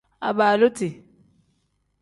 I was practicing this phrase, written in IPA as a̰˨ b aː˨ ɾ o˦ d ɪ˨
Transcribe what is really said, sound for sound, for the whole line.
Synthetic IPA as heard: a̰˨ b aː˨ l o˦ t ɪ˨